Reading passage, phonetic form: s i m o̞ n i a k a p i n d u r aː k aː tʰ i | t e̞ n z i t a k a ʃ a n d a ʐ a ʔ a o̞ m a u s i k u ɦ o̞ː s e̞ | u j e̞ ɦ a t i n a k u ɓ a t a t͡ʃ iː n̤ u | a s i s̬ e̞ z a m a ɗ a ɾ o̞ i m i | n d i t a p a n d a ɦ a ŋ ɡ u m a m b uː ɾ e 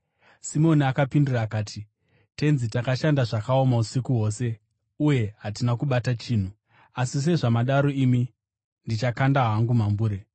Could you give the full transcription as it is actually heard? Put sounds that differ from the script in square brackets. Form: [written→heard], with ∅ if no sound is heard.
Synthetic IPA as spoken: s i m o̞ n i a k a p i n d u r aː k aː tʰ i | t e̞ n z i t a k a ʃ a n d a ʐ a [ʔ→k] a o̞ m a u s i k u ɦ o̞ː s e̞ | u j e̞ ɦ a t i n a k u ɓ a t a t͡ʃ iː n̤ u | a s i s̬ e̞ [z→ʐ] a m a ɗ a ɾ o̞ i m i | n d i [t→t͡ʃ] a [p→k] a n d a ɦ a ŋ ɡ u m a m b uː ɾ e